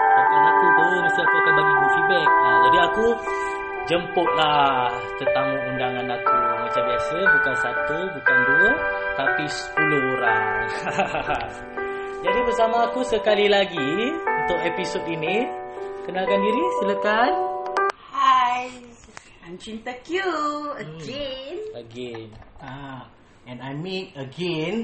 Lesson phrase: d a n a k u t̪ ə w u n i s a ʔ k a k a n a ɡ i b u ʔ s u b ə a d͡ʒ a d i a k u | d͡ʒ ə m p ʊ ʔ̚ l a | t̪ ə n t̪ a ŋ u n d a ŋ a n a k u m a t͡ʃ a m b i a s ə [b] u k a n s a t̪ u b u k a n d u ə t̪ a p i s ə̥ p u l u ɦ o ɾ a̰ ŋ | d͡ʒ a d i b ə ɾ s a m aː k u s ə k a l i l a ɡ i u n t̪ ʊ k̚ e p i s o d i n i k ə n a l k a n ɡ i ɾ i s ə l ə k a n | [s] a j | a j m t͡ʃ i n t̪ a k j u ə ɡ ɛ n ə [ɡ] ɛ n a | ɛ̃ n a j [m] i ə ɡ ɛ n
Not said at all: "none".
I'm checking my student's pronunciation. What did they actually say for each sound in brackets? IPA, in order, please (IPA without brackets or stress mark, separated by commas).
b, h, ɡ, m